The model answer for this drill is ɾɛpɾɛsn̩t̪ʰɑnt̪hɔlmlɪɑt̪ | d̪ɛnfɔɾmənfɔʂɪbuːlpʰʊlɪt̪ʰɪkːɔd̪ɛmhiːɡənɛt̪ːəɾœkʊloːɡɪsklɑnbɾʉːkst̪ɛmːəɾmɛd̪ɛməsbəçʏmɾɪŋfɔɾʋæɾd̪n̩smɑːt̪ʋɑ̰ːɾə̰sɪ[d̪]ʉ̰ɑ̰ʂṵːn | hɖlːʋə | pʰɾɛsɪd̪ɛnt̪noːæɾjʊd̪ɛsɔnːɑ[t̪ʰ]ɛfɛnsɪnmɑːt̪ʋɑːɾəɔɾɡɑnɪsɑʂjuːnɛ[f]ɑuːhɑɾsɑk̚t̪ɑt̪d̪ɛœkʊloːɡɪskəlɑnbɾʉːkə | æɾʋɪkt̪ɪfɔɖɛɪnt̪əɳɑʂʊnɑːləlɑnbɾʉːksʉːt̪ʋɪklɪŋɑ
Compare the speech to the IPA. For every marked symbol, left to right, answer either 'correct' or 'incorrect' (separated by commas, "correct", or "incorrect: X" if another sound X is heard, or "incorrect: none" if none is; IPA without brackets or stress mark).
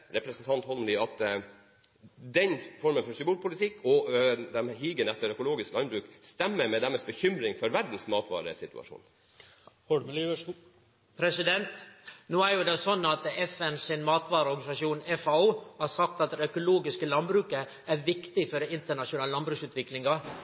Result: incorrect: t̪, incorrect: t̪, correct